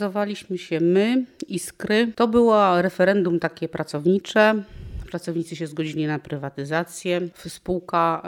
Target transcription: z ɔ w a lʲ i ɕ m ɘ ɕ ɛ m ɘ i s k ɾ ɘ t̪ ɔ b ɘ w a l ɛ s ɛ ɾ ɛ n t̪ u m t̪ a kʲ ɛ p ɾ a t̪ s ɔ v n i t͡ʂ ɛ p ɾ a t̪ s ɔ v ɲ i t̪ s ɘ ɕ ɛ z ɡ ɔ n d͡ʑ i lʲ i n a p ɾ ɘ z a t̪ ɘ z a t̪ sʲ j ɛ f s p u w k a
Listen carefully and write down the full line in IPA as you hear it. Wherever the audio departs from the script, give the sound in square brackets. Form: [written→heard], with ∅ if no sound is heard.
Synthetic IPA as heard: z ɔ [w→v] a lʲ i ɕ m ɘ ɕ ɛ m ɘ i s k ɾ ɘ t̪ ɔ b ɘ w a [l→ɾ] ɛ [s→f] ɛ ɾ ɛ n [t̪→d̪] u m t̪ a kʲ ɛ p ɾ a t̪ s ɔ v [n→ɲ] i t͡ʂ ɛ p ɾ a t̪ s ɔ v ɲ i t̪ s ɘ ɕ ɛ z ɡ ɔ [n→∅] d͡ʑ i lʲ i n a p ɾ ɘ [z→v] a t̪ ɘ z a t̪ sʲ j ɛ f s p u w k a